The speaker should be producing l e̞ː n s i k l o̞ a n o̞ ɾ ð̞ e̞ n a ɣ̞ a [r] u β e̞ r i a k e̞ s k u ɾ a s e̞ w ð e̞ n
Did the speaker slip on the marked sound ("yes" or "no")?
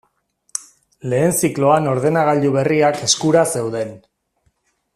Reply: yes